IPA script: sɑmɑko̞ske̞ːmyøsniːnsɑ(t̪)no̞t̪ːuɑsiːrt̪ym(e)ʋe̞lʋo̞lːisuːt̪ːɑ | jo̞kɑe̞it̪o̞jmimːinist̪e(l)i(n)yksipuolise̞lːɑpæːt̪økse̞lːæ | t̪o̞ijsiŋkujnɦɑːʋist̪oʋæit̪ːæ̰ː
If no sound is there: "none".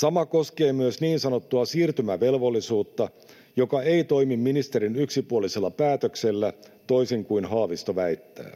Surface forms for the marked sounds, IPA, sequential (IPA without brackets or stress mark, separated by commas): none, æ, ɾ, n